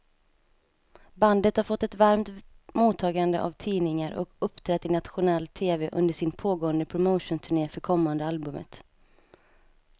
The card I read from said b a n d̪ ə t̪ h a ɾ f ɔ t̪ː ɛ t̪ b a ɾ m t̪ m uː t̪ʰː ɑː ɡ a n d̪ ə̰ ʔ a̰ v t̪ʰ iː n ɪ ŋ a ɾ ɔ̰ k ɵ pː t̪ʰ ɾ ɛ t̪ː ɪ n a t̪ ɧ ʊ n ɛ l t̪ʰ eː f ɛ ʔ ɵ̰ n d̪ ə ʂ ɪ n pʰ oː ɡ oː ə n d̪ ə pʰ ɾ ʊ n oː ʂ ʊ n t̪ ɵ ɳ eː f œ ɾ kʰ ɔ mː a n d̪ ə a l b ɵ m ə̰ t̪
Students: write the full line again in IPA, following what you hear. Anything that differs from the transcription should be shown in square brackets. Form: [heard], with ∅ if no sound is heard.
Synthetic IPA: b a n d̪ ə t̪ h a ɾ f ɔ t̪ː ɛ t̪ [v] a ɾ m t̪ m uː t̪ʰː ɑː ɡ a n d̪ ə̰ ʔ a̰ v t̪ʰ iː n ɪ ŋ a ɾ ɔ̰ k ɵ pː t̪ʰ ɾ ɛ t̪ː ɪ n a t̪ ɧ ʊ n ɛ l t̪ʰ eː [v] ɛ ʔ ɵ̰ n d̪ ə ʂ ɪ n pʰ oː ɡ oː ə n d̪ ə pʰ ɾ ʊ [m] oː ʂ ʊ n [t̪ʰ] ɵ ɳ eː f œ ɾ kʰ ɔ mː a n d̪ ə a l b ɵ m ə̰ t̪